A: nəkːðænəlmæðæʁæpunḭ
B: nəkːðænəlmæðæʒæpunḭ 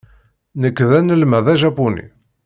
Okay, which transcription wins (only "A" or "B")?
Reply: B